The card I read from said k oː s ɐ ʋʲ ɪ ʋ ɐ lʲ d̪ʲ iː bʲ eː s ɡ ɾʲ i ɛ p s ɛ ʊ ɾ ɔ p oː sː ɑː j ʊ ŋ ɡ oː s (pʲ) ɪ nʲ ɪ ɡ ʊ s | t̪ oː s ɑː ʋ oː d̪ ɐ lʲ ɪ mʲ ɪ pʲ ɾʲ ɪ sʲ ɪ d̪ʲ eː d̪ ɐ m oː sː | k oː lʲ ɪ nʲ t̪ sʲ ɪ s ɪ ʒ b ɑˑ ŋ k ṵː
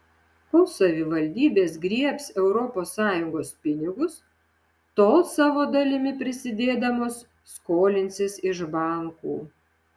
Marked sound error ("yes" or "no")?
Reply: no